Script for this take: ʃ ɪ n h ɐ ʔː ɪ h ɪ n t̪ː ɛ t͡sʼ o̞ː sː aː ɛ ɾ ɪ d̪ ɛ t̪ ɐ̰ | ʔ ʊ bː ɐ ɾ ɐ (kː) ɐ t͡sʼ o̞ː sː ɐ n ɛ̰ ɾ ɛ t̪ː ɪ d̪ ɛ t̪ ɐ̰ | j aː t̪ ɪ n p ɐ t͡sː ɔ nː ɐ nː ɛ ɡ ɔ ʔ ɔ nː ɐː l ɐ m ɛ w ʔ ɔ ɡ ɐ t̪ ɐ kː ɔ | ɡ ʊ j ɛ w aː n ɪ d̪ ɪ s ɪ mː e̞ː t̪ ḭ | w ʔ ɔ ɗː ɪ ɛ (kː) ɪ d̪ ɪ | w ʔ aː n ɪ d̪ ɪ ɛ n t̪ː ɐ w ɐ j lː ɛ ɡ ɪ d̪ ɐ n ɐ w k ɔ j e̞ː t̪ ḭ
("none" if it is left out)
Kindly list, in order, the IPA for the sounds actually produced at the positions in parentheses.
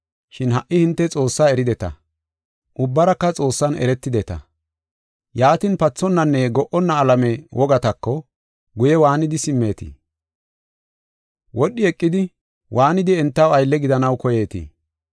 kː, kʼː

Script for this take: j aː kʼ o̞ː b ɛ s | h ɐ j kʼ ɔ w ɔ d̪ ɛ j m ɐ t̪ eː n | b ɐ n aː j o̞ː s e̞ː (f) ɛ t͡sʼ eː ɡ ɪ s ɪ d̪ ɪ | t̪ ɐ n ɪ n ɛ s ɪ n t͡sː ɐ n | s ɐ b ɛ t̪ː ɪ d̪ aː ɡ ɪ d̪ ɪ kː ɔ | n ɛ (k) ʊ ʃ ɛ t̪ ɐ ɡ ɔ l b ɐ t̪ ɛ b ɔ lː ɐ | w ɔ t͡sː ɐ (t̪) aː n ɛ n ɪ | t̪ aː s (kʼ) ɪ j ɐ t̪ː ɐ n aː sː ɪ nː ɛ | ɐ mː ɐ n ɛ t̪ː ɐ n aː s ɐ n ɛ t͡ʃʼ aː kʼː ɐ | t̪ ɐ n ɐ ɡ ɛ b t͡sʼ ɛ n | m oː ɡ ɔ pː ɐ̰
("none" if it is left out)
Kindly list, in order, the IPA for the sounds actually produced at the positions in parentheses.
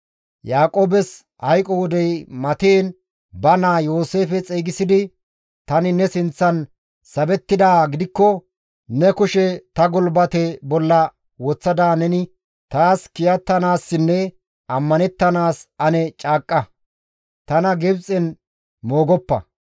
f, k, d̪, k

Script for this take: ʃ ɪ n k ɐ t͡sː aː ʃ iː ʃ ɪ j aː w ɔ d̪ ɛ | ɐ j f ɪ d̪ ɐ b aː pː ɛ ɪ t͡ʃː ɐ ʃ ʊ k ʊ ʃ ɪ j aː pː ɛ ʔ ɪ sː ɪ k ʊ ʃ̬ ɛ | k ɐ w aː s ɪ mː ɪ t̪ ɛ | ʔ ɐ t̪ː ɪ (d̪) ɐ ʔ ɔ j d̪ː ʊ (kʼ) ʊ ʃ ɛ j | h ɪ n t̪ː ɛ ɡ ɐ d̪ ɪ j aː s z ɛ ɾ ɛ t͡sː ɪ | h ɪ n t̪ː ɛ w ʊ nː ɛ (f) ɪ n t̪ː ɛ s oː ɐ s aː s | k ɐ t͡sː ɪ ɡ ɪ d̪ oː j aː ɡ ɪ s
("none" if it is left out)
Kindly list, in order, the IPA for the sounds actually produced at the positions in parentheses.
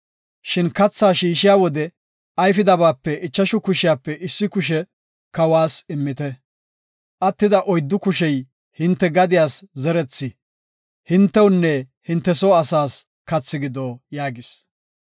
d̪, k, h

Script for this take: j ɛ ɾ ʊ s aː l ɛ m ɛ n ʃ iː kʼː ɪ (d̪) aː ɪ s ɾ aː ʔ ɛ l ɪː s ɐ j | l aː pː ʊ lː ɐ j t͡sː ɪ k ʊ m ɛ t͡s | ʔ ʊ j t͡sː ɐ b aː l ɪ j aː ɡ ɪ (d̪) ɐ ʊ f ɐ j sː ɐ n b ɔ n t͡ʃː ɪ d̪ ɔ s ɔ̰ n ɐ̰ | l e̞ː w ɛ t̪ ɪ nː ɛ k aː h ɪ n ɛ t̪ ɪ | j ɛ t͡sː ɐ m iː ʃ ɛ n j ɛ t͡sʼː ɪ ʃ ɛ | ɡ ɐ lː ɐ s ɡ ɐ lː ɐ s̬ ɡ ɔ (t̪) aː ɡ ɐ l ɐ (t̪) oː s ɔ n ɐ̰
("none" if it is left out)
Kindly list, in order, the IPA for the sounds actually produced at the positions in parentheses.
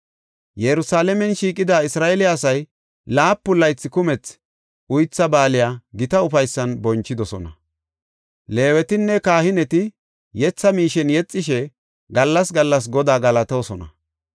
d̪, t̪, d̪, t̪

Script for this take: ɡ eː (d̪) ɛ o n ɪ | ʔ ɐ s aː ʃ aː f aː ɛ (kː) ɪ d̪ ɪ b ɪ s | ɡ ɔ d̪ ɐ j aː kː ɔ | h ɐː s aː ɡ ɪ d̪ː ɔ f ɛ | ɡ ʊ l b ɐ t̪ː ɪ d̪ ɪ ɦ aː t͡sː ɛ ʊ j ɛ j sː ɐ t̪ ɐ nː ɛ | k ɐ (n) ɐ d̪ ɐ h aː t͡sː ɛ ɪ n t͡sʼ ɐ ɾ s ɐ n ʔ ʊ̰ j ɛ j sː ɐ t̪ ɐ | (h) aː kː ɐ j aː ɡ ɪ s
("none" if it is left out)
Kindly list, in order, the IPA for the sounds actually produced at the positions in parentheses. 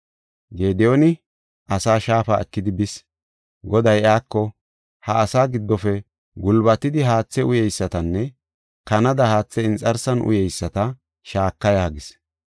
d̪, kː, n, ʃ

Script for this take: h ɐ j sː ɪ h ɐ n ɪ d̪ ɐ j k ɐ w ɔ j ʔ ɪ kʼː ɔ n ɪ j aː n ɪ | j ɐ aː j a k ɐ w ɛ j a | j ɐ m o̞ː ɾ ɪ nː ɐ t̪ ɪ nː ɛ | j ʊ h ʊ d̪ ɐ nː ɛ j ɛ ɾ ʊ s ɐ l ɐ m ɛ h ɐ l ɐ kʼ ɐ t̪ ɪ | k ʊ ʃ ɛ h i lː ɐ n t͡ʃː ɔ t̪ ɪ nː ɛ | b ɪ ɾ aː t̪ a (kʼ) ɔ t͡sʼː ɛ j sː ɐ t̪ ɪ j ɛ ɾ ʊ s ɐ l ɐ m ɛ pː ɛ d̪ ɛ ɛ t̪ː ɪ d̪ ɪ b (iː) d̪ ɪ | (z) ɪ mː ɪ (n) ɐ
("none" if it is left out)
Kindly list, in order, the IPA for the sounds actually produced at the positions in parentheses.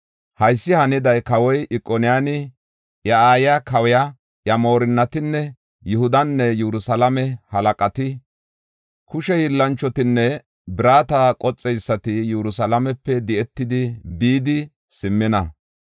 kʼ, iː, s, n

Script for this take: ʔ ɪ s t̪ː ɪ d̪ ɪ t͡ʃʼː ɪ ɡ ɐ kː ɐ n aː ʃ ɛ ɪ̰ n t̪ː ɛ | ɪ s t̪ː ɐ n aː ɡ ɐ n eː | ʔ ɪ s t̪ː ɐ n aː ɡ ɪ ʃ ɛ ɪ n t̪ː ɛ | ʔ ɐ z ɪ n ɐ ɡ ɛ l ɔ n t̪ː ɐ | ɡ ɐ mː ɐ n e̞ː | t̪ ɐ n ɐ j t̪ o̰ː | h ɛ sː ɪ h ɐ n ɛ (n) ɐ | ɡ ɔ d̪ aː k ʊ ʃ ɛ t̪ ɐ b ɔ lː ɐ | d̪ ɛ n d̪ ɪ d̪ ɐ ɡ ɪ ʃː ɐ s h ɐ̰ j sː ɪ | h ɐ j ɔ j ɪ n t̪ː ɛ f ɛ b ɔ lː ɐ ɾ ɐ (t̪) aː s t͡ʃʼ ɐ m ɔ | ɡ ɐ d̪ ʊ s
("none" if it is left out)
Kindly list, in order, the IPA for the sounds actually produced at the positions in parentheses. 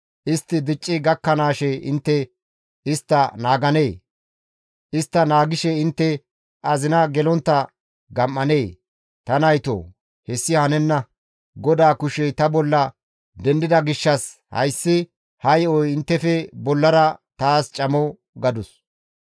nː, t̪

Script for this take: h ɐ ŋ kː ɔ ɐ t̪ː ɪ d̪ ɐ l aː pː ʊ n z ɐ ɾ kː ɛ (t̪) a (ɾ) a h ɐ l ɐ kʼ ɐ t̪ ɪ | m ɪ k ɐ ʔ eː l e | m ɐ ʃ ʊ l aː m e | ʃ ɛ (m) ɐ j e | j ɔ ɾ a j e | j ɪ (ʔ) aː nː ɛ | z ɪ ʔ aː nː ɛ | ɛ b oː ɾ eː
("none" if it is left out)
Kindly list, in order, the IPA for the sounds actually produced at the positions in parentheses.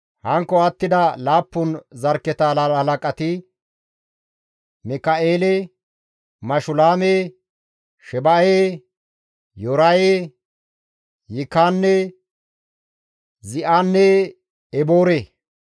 t̪, l, b, k

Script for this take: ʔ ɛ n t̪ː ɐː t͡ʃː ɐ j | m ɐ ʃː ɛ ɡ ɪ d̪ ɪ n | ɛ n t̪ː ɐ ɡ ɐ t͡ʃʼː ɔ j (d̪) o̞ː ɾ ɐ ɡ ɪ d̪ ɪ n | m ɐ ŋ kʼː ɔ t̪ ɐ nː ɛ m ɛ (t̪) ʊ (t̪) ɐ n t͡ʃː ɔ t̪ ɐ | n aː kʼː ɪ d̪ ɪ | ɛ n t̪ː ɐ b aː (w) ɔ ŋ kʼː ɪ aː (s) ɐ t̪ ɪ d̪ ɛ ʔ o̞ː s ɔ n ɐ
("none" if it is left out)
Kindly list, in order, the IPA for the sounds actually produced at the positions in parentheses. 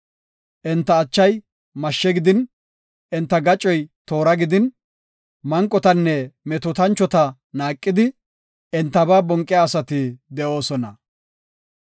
t̪, t̪, t̪, b, s

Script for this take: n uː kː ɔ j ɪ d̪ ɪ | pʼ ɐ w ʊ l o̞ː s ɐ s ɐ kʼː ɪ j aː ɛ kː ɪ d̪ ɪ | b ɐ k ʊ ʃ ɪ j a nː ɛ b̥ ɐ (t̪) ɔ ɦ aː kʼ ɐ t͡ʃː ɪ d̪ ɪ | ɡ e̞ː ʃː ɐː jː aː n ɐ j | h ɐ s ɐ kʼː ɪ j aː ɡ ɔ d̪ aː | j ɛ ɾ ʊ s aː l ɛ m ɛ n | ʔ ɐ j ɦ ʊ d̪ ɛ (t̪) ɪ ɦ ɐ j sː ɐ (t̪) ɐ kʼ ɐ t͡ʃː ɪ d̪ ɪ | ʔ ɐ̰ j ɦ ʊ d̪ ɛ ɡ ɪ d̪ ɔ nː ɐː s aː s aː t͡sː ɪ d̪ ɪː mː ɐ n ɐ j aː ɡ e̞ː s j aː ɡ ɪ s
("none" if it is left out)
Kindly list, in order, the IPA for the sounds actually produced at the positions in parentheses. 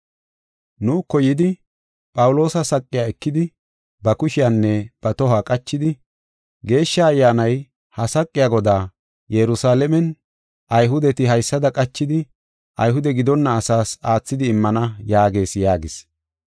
t̪, t̪, d̪

